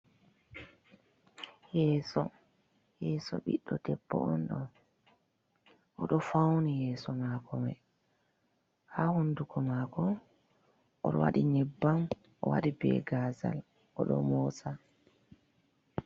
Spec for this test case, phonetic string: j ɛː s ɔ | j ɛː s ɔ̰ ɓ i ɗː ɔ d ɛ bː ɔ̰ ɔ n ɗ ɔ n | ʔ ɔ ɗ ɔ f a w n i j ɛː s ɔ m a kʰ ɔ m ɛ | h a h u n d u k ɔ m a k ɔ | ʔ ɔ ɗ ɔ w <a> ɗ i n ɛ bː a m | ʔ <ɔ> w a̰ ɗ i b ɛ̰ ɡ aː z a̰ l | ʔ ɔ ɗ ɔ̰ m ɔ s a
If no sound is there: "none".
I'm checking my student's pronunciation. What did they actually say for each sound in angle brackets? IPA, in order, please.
a, ɔ

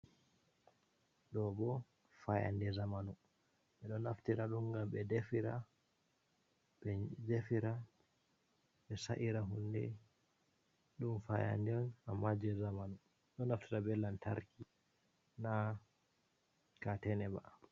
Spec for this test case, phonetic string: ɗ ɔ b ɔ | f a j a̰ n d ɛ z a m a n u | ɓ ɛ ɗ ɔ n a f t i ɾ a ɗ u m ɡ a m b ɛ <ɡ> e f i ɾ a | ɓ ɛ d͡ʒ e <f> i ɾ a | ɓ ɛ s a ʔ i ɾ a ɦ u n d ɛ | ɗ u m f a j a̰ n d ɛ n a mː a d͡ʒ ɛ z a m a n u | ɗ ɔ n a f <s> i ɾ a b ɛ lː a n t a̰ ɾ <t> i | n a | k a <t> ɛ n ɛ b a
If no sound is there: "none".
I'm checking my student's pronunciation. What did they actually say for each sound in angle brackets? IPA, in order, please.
d, f, t, k, t

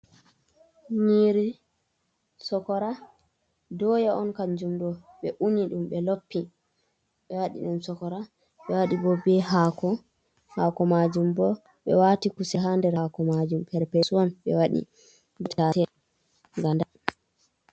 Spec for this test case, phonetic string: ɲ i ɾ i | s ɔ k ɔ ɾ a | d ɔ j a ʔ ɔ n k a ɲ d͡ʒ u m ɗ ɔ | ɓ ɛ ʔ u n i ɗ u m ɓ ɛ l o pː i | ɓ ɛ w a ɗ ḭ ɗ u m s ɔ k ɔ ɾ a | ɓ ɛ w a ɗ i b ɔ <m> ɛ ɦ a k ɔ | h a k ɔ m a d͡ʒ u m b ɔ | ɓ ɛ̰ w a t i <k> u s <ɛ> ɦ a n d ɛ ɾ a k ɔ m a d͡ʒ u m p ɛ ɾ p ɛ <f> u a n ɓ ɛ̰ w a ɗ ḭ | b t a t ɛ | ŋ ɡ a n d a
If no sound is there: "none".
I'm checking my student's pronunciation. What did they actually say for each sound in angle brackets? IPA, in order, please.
b, k, ɛ, s

